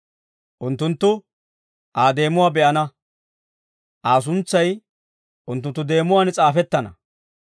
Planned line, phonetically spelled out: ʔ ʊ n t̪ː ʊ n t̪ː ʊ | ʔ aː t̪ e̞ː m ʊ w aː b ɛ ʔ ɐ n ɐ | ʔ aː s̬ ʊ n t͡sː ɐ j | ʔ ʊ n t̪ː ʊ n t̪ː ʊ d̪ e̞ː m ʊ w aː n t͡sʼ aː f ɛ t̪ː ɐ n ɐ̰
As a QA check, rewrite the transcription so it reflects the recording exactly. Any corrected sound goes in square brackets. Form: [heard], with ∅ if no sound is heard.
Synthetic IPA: ʔ ʊ n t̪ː ʊ n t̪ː ʊ | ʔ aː [d̪] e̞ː m ʊ w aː b ɛ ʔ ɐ n ɐ | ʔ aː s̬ ʊ n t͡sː ɐ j | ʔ ʊ n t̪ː ʊ n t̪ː ʊ d̪ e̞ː m ʊ w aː n t͡sʼ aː f ɛ t̪ː ɐ n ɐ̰